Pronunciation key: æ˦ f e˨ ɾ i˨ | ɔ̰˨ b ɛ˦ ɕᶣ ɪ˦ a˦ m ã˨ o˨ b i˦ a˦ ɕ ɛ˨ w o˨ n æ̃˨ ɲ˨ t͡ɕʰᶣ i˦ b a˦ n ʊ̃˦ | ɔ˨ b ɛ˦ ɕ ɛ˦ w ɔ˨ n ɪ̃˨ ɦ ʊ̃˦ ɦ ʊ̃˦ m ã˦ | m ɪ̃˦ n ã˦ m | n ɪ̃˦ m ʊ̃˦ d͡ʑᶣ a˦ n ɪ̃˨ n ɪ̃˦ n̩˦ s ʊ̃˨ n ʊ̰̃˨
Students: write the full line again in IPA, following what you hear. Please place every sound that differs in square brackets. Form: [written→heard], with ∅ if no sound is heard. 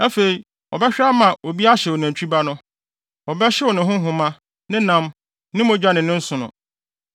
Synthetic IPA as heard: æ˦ f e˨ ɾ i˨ | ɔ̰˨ b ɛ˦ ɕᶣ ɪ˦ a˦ m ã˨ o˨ b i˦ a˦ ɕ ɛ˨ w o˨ n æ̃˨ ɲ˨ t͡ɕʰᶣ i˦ b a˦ n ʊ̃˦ | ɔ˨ b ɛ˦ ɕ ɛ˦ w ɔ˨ n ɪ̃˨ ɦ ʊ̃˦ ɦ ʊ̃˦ m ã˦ | [m→n] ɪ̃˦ n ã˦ m | n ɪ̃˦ m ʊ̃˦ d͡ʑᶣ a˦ n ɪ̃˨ n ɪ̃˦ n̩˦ s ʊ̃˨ n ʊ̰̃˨